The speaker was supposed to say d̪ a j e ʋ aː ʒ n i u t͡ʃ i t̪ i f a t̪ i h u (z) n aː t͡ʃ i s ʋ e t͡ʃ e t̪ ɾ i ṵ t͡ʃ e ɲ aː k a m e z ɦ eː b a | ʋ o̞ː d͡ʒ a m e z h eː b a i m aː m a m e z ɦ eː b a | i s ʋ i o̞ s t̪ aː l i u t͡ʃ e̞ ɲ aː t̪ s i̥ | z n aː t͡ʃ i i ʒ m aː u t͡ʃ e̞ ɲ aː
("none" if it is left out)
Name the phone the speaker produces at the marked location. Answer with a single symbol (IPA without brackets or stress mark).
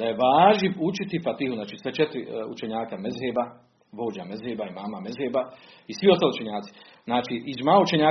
z